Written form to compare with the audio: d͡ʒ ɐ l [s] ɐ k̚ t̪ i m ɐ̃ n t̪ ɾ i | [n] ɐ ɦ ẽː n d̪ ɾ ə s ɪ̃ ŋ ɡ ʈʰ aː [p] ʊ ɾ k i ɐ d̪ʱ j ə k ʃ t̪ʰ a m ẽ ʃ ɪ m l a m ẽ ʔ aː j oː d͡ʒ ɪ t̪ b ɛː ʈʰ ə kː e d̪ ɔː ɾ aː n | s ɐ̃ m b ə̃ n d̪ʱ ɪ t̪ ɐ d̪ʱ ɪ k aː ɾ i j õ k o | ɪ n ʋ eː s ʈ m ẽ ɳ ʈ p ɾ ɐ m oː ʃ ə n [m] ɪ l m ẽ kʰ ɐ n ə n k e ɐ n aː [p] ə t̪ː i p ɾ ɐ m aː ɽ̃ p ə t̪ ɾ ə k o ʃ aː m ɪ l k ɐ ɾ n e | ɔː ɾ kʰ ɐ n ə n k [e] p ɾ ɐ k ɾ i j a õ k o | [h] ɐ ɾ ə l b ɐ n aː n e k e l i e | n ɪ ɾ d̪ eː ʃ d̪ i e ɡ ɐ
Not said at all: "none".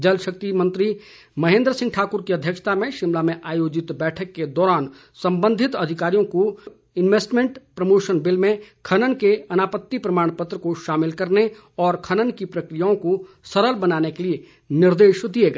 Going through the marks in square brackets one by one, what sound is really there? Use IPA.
ʃ, m, k, b, p, i, s

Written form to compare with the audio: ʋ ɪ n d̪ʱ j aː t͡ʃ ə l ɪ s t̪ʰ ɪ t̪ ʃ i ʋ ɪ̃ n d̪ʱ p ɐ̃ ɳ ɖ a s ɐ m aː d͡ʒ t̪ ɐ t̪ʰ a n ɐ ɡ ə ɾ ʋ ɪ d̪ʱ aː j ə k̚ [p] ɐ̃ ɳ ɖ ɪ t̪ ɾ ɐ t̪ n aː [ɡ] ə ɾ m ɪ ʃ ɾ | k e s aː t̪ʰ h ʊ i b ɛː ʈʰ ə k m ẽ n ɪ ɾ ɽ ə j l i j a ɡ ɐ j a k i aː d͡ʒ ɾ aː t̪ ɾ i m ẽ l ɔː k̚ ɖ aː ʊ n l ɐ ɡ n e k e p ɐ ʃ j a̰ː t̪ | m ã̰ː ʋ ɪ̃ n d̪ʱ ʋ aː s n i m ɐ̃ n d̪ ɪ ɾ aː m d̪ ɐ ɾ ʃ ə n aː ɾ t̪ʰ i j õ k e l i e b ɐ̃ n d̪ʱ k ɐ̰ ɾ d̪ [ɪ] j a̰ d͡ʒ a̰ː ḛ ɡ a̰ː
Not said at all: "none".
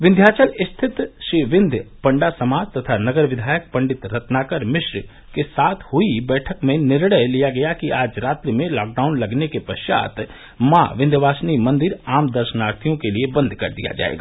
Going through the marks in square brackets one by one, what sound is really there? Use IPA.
p, k, i

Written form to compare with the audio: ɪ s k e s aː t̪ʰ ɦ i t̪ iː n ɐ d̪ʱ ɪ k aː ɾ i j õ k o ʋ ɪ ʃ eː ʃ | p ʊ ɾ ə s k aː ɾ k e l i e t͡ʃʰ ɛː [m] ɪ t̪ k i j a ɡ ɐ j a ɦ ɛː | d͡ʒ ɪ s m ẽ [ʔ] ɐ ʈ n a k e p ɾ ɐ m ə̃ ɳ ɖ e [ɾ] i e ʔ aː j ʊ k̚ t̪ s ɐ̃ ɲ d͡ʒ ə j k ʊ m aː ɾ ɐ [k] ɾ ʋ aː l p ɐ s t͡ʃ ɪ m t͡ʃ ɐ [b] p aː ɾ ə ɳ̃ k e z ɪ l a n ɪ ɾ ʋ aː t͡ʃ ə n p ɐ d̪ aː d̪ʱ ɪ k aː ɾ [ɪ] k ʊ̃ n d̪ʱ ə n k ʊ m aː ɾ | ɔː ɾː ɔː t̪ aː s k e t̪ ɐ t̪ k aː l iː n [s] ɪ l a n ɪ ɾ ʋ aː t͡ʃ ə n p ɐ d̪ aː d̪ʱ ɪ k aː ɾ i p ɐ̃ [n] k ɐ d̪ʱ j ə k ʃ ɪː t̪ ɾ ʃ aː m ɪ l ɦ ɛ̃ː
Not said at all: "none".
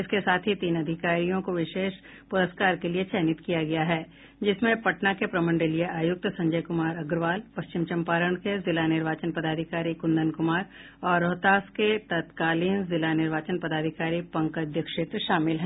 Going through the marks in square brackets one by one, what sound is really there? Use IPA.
n, p, l, ɡ, m, i, z, ŋ

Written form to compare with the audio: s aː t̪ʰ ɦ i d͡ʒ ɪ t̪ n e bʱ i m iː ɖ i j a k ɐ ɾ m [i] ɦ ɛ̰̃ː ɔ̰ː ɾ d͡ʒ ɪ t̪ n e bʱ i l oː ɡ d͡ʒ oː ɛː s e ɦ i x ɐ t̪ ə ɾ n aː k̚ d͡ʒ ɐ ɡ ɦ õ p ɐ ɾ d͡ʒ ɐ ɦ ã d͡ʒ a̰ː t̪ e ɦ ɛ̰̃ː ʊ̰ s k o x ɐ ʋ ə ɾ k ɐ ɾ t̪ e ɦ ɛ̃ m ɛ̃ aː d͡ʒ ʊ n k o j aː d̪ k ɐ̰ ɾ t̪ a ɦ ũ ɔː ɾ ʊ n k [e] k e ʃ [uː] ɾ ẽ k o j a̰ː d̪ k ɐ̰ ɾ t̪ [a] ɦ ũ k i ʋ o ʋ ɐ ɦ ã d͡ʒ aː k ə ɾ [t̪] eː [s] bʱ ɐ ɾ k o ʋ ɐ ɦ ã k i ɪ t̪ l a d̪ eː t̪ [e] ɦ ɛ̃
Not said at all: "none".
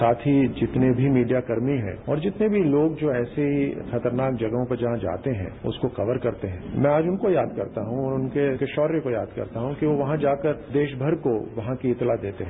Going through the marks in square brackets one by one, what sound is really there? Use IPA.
i, e, ɔː, a, d̪, ʃ, e

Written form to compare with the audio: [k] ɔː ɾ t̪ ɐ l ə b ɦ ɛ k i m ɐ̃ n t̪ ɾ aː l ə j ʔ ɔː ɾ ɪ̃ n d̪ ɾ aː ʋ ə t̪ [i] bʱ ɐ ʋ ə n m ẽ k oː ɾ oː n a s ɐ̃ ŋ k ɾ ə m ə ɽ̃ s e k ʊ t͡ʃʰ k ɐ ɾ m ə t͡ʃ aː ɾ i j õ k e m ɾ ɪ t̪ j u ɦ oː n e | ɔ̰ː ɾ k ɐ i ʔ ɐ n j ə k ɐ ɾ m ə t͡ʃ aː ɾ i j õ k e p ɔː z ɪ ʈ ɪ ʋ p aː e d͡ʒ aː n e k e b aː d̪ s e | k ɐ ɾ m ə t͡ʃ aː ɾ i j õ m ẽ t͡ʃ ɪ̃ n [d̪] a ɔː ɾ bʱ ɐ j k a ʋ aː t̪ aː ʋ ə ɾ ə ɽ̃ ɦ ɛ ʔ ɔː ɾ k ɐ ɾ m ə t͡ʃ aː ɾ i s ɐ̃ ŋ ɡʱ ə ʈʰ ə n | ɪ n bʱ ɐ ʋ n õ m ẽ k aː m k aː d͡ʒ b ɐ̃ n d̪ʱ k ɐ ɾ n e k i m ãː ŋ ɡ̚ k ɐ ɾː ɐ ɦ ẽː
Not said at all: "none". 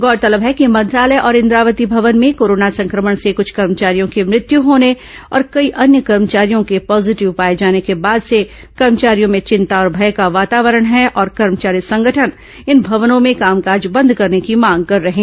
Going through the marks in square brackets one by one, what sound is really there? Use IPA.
ɡ, i, t̪

